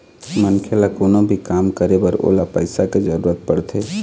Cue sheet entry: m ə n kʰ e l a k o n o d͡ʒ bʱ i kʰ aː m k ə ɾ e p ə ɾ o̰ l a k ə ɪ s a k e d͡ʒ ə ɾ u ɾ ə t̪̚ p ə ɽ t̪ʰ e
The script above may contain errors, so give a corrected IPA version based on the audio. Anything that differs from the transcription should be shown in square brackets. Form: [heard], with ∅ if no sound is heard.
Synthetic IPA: m ə n kʰ e l a k o n o [∅] bʱ i [k] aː m k ə ɾ e [b] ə ɾ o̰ l a [p] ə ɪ s a k e d͡ʒ ə ɾ u ɾ ə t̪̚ p ə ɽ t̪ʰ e